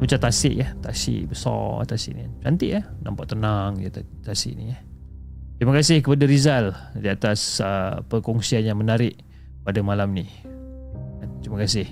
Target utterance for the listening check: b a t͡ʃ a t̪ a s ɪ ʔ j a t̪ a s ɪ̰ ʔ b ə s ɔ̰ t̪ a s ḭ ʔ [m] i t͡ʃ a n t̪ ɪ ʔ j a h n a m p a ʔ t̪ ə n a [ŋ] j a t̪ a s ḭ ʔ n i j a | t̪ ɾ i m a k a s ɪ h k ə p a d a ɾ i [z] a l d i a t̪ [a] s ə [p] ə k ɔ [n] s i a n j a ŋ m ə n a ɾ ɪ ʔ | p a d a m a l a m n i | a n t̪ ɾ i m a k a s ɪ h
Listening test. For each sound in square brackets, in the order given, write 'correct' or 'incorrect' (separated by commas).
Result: incorrect, correct, correct, correct, correct, incorrect